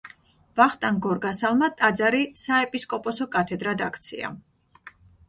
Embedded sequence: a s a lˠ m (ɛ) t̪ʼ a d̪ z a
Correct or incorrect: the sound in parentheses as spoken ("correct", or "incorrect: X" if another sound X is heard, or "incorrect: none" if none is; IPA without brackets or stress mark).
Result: incorrect: a